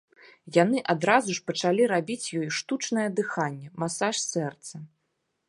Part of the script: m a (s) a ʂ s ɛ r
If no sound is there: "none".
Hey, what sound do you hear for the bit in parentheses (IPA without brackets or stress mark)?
s